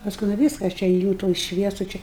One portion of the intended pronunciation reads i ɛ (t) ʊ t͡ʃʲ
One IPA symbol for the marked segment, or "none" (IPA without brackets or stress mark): s